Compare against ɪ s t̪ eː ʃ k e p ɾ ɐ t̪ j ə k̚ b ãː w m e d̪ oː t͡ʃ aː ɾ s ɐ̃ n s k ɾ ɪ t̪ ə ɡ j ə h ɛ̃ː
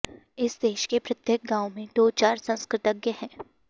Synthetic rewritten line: ɪ s d̪ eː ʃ k e p ɾ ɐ t̪ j ə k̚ ɡ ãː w m ẽ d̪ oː t͡ʃ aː ɾ s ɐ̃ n s k ɾ ɪ t̪ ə ɡ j ə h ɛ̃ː